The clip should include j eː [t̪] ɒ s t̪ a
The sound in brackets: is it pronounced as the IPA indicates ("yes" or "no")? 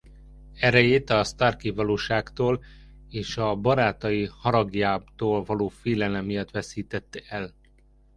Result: yes